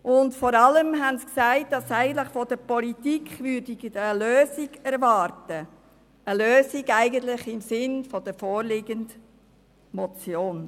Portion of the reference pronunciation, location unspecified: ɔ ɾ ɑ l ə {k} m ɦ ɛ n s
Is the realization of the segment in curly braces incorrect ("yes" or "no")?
yes